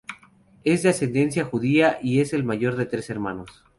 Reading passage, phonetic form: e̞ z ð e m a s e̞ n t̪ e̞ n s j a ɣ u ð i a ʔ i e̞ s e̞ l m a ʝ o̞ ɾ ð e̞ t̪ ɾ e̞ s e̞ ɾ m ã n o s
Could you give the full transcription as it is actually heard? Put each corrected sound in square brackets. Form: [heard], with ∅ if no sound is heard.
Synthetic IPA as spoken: e̞ z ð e [∅] a s e̞ n [d̪] e̞ n s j a [x] u ð i a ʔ i e̞ s e̞ l m a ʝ o̞ ɾ ð e̞ t̪ ɾ e̞ s e̞ ɾ m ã n o s